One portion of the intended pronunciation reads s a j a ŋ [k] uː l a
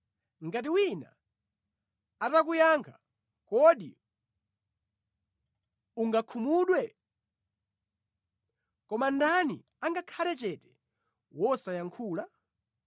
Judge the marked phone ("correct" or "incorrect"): incorrect